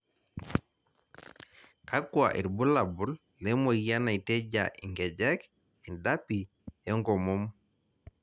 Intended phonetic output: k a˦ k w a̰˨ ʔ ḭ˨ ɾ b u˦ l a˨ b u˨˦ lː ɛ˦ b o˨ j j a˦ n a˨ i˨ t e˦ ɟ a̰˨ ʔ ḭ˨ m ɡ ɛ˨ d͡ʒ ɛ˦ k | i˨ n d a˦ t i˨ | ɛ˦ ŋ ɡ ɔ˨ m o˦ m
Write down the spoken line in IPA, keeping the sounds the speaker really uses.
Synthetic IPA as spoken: k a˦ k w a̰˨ ʔ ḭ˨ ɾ b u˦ l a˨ b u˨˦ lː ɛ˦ m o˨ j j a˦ n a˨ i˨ t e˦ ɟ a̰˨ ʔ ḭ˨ ŋ ɡ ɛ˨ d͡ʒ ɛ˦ k | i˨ n d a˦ p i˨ | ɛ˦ ŋ ɡ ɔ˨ m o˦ m